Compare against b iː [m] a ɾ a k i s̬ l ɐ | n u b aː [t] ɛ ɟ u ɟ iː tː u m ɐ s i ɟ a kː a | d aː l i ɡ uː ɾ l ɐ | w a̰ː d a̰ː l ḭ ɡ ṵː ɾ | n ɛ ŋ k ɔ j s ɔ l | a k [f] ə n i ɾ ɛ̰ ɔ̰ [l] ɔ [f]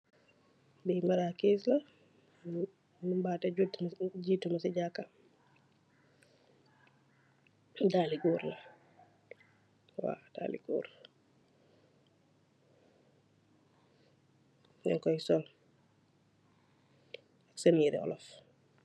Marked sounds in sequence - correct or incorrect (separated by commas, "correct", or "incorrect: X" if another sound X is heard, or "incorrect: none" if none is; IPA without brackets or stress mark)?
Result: correct, correct, incorrect: s, correct, correct